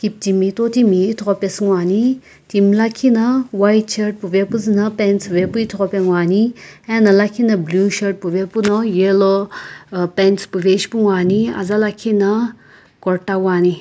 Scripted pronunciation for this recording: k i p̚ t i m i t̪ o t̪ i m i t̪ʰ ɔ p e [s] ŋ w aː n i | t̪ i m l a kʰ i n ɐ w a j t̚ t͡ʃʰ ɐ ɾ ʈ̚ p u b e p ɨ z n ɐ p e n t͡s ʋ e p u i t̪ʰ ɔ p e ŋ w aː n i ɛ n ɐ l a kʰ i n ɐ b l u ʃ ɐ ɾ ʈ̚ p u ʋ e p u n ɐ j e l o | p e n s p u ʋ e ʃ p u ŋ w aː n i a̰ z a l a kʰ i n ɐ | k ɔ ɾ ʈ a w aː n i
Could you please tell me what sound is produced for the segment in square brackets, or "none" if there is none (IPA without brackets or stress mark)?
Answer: s